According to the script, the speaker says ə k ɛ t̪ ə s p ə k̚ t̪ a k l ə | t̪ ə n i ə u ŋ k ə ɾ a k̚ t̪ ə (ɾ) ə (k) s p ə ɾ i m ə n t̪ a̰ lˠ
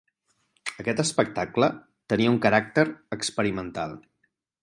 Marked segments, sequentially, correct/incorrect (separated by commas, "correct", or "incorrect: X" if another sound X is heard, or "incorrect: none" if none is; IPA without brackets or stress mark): correct, correct